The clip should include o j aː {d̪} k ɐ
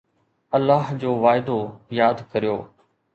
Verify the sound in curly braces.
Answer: correct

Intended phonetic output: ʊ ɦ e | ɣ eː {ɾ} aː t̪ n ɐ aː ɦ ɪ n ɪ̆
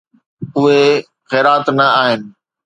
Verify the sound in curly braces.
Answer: correct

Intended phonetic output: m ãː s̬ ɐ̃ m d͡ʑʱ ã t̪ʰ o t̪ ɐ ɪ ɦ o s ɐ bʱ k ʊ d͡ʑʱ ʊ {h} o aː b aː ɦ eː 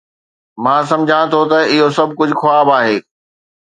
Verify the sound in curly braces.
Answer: incorrect: x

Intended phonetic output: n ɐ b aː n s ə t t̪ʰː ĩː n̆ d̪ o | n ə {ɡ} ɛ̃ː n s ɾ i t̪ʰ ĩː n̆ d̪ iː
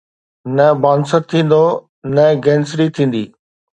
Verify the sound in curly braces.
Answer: correct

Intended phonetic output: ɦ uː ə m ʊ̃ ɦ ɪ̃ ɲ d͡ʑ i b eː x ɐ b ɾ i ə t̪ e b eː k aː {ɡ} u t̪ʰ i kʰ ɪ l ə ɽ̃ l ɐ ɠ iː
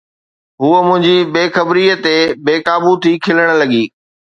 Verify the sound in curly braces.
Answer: incorrect: b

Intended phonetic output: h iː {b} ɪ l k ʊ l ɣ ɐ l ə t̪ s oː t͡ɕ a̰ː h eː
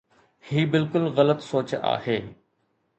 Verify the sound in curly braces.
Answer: correct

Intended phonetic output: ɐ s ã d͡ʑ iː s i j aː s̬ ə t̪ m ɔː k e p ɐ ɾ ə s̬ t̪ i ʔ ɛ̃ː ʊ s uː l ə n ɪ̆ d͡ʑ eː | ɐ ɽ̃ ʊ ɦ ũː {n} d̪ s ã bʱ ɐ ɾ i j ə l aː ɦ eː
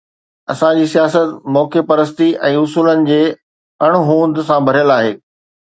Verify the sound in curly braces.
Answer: correct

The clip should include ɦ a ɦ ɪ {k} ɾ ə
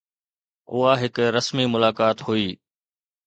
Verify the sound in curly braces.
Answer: correct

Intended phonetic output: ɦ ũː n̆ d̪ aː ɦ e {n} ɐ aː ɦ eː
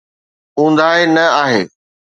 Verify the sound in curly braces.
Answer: correct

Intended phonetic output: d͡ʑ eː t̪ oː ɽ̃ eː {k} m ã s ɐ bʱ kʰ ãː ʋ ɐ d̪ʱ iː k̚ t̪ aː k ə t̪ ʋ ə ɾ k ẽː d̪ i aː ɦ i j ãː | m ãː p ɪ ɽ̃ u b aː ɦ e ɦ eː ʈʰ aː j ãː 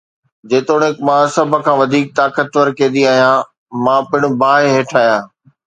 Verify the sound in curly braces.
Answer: correct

